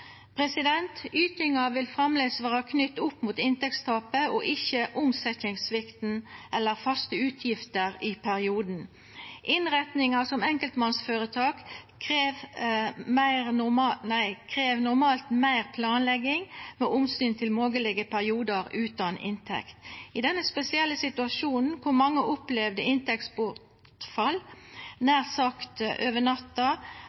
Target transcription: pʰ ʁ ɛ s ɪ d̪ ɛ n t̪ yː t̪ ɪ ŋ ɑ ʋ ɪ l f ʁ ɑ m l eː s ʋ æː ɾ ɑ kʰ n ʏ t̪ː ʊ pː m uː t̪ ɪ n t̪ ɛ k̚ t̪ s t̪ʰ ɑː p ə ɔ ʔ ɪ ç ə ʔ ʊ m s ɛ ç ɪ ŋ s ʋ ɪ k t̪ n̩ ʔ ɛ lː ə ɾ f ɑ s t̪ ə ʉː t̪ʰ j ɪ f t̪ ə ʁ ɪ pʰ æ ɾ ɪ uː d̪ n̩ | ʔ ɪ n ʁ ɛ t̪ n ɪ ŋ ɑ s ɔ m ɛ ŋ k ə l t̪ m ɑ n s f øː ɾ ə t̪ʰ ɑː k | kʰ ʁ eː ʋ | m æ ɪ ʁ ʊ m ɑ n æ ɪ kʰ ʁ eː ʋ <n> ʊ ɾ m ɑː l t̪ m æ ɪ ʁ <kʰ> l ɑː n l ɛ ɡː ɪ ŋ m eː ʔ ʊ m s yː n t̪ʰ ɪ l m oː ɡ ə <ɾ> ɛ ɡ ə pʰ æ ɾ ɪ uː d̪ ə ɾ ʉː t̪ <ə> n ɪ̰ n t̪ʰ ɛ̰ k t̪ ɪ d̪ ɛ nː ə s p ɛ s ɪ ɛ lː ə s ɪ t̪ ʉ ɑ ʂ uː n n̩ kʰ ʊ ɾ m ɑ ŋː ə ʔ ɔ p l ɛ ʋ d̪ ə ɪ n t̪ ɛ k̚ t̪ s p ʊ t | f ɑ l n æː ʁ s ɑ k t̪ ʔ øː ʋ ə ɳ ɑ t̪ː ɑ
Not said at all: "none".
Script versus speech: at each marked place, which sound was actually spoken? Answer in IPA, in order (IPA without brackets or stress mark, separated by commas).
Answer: n, pʰ, l, ɑ